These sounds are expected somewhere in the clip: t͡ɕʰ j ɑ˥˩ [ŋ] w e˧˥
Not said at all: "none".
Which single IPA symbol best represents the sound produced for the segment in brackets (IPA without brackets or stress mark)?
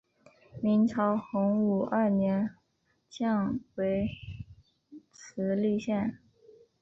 ŋ